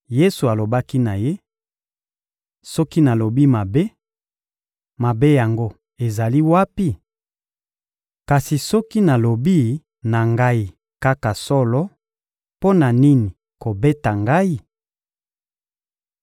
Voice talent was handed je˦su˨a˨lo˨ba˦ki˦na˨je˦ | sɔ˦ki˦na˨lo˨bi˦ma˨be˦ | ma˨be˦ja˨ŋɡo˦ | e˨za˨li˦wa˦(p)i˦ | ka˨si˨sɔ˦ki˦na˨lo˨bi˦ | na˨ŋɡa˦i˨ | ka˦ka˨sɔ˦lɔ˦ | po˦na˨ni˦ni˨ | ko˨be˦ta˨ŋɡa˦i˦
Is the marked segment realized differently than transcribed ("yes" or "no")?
no